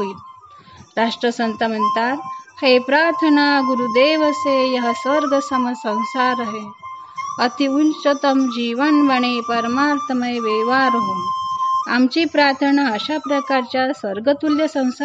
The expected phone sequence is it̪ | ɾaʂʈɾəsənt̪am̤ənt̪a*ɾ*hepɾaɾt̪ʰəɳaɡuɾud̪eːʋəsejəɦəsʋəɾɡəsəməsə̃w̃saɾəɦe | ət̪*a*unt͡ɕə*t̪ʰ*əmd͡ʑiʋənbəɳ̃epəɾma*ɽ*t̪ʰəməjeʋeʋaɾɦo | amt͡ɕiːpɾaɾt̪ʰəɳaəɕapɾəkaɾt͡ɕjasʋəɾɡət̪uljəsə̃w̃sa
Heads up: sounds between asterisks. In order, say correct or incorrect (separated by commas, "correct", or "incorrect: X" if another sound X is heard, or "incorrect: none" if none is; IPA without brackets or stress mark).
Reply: correct, incorrect: i, incorrect: t̪, incorrect: ɾ